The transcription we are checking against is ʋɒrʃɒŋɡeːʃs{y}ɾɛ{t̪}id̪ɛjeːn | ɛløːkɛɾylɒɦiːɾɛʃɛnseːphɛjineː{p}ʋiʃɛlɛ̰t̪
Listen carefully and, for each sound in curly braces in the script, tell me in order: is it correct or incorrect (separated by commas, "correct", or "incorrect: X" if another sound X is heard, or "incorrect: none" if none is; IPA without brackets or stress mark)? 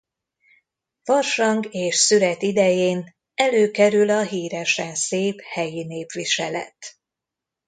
correct, correct, correct